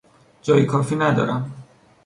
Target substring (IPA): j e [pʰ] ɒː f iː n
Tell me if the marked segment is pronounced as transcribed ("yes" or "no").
no